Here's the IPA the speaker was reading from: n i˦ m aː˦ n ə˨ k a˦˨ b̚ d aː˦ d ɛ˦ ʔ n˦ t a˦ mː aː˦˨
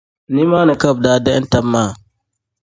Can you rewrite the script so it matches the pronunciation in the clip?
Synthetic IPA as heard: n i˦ m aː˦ n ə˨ k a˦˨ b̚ d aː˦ d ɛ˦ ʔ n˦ t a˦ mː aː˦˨